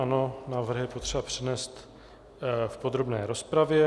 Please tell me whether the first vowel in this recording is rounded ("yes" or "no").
no